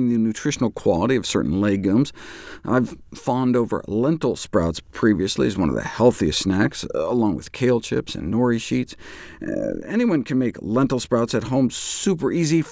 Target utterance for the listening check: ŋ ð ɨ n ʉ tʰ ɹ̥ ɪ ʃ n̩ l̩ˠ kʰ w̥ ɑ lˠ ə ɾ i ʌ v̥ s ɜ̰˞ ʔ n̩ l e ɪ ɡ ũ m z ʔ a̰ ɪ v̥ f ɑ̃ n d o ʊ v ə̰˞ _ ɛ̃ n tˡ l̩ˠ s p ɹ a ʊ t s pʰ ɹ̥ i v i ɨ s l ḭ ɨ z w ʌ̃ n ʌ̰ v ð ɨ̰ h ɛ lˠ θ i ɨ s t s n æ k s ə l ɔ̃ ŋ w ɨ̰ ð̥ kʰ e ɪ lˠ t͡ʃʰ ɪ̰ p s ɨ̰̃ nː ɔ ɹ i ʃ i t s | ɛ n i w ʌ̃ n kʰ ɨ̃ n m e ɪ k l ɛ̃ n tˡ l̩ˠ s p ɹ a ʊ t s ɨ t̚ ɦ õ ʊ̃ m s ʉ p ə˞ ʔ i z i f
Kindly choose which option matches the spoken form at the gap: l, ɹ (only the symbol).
l